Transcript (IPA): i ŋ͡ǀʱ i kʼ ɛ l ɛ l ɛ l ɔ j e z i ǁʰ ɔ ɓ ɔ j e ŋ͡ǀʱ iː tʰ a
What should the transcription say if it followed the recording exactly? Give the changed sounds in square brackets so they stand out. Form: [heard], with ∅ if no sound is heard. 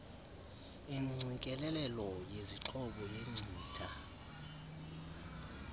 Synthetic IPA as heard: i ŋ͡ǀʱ i kʼ ɛ l ɛ l ɛ l ɔ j e z i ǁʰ ɔ ɓ ɔ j e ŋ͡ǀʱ iː tʰ a